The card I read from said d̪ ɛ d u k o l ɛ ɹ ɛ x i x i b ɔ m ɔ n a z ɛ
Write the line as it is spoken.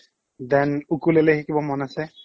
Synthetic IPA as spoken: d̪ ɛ n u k u l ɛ l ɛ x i k i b ɔ m ɔ n a s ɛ